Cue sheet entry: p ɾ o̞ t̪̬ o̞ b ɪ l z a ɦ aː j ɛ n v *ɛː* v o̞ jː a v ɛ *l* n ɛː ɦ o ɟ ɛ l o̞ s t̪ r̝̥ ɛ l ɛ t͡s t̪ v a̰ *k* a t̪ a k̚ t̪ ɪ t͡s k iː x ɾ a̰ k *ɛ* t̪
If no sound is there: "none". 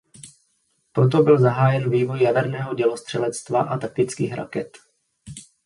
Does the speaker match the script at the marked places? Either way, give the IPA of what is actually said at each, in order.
iː, ɾ, ʔ, ɛ

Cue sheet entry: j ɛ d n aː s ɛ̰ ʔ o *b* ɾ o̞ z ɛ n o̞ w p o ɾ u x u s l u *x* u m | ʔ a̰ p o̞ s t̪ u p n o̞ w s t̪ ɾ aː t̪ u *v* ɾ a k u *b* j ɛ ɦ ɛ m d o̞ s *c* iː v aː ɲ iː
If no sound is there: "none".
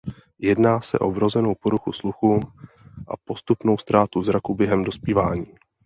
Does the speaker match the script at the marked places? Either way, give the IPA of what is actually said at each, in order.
v, x, z, b, p

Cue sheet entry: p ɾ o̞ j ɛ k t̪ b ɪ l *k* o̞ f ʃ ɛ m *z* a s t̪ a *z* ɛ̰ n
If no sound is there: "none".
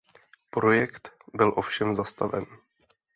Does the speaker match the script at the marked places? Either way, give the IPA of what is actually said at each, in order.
ʔ, z, v

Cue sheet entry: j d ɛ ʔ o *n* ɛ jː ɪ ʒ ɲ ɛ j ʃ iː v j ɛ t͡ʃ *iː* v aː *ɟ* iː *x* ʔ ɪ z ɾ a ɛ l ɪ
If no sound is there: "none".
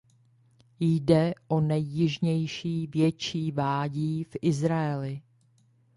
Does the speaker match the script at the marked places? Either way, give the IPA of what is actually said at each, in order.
n, iː, ɟ, f

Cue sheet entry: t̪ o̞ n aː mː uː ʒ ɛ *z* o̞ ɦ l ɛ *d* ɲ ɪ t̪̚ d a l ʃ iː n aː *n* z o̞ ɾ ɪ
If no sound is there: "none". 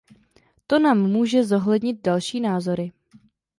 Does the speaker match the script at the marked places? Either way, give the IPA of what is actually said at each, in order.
z, d, none

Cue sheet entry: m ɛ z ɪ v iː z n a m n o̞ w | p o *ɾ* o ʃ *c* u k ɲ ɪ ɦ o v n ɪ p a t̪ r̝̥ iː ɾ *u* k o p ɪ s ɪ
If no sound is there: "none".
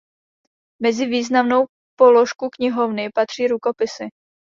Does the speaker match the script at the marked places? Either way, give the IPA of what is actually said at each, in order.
l, k, u

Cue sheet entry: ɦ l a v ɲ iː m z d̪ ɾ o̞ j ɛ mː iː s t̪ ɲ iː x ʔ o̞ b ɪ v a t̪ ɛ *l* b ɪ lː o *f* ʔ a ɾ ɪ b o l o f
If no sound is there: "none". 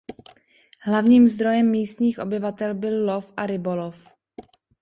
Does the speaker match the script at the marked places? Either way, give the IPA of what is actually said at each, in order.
l, f

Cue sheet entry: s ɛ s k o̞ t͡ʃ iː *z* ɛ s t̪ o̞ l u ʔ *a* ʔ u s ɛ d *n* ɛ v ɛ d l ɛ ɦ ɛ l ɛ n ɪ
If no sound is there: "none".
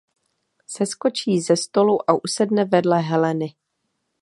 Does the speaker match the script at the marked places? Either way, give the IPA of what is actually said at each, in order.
z, a, n

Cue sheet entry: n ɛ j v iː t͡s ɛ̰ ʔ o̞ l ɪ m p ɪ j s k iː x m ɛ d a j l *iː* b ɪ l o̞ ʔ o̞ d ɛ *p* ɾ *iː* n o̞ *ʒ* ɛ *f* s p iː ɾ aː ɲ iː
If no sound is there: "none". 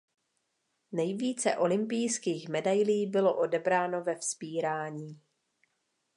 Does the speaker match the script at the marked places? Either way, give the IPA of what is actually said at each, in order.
iː, b, aː, v, f

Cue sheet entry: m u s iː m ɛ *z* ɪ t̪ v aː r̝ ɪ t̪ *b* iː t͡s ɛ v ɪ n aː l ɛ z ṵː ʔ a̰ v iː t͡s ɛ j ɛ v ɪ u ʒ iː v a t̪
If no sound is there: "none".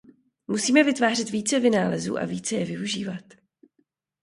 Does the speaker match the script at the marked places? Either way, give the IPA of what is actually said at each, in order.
v, v

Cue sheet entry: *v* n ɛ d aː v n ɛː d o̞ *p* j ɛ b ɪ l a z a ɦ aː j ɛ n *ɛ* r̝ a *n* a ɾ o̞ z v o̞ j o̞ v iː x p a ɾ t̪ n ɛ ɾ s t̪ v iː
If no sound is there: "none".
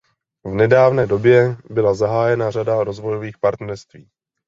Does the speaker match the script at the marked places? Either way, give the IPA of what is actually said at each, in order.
v, b, a, d

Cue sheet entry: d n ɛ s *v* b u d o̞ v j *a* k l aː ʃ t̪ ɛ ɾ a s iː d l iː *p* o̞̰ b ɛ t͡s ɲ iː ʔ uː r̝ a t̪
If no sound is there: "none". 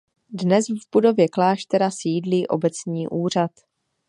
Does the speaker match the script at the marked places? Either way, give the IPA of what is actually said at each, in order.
v, ɛ, ʔ

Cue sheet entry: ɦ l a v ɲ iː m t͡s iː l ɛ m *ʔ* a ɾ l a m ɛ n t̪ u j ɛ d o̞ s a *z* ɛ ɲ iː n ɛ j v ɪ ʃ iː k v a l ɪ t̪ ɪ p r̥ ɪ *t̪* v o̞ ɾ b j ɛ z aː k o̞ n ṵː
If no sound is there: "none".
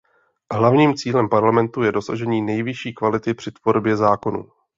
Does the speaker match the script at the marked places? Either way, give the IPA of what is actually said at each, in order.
p, ʒ, t̪

